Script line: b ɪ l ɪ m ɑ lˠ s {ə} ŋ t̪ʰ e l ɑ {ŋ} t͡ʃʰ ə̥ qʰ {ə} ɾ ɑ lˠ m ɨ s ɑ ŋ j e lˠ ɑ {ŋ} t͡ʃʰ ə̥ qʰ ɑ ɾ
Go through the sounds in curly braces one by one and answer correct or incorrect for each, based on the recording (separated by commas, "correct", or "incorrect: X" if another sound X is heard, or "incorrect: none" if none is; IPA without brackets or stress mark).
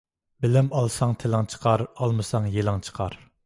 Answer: incorrect: ɑ, correct, incorrect: ɑ, correct